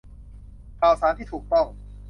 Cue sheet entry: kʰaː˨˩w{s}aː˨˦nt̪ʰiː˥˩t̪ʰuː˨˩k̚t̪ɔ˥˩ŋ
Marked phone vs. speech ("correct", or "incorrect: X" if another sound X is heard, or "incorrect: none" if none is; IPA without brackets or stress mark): correct